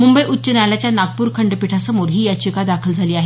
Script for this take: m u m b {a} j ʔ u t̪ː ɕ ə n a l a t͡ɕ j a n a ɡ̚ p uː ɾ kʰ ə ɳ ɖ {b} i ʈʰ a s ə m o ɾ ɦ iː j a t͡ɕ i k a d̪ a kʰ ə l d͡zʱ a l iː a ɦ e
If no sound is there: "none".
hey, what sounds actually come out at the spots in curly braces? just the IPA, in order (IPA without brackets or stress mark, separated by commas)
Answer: ə, p